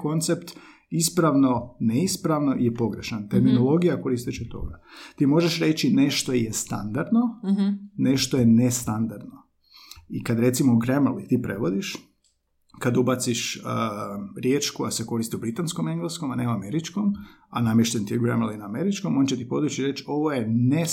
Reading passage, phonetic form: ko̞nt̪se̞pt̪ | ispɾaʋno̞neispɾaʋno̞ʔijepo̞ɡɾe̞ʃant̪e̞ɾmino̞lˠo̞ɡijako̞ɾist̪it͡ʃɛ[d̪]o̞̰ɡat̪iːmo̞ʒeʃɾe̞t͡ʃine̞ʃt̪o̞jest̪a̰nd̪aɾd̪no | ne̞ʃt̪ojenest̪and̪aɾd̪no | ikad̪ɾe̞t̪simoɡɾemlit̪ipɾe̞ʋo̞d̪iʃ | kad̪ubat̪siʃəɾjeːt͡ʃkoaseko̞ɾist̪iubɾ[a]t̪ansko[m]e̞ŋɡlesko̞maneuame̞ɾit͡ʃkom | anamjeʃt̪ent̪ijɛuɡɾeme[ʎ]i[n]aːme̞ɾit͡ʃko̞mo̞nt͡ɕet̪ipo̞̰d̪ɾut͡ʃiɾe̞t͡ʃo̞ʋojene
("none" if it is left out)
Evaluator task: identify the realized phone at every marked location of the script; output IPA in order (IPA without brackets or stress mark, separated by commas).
t̪, i, m, l, n